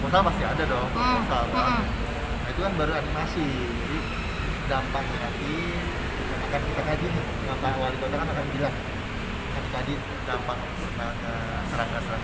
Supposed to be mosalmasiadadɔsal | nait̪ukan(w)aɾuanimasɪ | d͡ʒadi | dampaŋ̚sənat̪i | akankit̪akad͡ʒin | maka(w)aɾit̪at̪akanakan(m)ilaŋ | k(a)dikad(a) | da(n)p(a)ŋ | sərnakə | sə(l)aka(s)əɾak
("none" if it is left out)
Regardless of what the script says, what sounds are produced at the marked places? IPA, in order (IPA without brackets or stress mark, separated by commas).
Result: b, w, b, a, i, m, a, ɾ, s